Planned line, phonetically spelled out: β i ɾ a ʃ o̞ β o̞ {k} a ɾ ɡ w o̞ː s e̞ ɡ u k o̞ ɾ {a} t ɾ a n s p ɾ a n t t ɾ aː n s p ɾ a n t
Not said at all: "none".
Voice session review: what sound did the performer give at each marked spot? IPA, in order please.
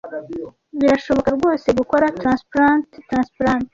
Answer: k, a

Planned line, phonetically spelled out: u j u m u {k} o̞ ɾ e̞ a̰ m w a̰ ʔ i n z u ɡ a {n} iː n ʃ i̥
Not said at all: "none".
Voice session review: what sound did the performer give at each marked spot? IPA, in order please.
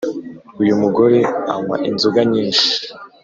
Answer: ɡ, ɲ

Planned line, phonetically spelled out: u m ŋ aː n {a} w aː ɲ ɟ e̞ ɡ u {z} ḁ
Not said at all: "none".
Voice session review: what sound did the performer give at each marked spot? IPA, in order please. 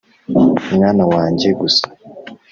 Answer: a, s

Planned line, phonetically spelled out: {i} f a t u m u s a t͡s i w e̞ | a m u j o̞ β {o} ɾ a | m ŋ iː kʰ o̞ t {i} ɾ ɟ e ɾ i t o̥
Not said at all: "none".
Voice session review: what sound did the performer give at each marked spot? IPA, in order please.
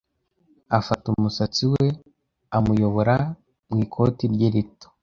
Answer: a, o, i

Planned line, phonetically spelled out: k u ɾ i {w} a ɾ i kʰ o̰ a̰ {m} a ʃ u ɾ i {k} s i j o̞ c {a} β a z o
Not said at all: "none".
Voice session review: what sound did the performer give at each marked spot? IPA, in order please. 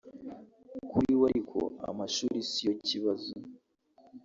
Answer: w, m, none, i

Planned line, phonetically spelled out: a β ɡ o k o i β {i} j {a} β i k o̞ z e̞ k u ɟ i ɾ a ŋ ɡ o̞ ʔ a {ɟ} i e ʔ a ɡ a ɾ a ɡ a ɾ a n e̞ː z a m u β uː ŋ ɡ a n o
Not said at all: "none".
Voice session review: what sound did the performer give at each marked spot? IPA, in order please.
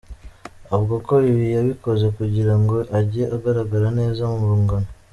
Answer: i, a, ɟ

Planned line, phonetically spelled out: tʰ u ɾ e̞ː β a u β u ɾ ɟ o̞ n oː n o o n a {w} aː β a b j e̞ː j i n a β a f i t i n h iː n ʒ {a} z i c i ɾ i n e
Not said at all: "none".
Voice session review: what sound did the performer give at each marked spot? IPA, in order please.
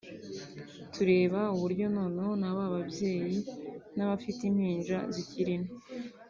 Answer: β, a

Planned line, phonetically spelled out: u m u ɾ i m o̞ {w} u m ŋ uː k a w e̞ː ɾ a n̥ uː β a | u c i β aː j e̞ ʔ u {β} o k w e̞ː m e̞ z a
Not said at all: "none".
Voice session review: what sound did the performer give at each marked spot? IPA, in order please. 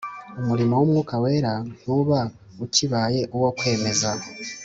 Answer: w, w

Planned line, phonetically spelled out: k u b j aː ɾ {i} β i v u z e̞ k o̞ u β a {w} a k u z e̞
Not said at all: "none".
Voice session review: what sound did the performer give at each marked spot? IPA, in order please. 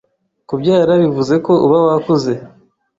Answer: a, w

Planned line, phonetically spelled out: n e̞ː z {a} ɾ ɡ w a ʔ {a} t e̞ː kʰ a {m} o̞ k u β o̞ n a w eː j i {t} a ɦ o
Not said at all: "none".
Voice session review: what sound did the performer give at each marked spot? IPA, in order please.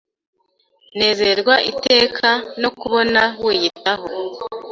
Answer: e, i, n, t

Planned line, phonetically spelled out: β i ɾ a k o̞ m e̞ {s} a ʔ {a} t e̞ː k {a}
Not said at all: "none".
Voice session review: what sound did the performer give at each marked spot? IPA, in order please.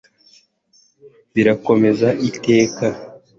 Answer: z, i, a

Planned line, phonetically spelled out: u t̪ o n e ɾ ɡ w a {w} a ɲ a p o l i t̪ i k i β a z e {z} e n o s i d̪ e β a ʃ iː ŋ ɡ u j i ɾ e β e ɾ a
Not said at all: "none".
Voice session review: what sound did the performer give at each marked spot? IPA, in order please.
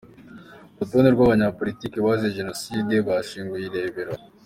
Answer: β, ʒ

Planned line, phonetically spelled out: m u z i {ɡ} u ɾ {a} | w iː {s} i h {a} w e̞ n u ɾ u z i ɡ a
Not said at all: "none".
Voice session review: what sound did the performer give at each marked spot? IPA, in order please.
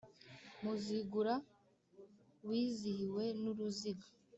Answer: ɡ, a, z, i

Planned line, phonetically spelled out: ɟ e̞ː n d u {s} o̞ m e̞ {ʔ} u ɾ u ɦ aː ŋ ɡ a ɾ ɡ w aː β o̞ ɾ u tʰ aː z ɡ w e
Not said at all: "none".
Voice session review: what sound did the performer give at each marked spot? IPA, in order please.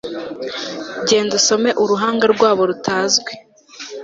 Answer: s, ʔ

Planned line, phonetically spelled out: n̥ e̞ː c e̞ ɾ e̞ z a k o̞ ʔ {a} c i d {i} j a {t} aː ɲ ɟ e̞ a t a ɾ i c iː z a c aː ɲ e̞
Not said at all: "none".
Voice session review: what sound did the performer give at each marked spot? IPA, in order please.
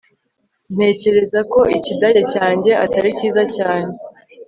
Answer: i, a, c

